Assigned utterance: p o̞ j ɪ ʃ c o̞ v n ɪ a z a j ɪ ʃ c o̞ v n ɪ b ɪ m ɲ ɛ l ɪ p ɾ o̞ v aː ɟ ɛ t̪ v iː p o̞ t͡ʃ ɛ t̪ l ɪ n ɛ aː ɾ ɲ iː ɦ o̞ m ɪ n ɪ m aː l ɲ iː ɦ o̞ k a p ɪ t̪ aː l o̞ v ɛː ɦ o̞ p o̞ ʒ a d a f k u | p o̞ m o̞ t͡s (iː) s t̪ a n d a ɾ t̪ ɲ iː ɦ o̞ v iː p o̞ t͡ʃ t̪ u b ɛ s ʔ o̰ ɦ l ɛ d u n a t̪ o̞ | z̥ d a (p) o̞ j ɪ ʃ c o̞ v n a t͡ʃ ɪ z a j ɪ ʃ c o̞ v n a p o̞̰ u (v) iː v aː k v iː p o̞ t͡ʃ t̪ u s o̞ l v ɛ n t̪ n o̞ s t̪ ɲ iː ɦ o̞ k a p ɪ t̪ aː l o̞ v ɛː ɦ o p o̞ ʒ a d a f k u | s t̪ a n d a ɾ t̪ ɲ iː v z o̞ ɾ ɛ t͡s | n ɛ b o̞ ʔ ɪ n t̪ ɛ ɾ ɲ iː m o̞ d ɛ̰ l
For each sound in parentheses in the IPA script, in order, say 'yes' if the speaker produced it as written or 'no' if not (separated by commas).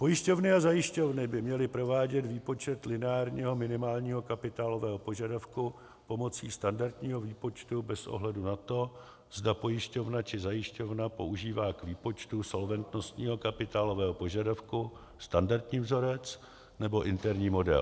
yes, yes, no